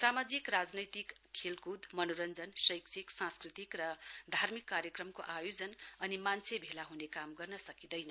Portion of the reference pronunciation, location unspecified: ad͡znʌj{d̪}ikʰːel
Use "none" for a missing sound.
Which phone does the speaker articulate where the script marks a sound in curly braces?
t̪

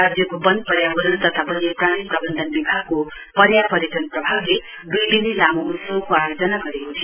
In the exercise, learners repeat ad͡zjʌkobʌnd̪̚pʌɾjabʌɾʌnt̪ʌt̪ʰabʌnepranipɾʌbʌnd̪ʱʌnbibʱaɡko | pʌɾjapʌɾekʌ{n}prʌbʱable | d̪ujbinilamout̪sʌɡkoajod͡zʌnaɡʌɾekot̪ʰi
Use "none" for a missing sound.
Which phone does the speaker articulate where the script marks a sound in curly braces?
n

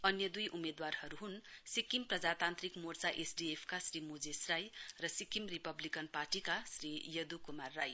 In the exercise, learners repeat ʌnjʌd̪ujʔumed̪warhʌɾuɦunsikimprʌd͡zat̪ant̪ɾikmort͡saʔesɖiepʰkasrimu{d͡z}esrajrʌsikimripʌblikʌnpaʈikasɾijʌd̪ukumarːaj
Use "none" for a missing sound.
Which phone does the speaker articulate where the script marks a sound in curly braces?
d͡z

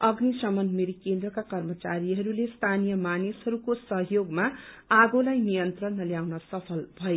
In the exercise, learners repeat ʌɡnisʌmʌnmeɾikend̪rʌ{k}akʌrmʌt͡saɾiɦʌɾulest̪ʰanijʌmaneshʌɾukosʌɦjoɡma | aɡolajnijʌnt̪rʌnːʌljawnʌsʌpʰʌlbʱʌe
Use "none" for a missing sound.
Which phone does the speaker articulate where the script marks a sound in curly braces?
k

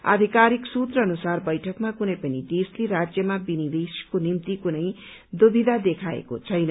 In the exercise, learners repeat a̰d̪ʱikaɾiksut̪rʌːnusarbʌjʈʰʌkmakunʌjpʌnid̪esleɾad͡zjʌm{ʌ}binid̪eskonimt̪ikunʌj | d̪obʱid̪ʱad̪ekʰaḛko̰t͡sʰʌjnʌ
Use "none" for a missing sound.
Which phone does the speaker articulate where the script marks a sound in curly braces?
a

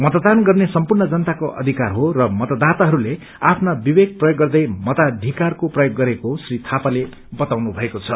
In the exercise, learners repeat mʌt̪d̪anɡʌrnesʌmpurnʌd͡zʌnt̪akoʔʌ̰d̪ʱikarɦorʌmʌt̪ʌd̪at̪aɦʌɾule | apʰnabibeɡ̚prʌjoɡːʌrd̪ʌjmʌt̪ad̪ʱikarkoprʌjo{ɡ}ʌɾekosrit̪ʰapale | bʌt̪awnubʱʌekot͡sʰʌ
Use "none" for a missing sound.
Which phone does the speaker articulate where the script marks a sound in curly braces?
ɡː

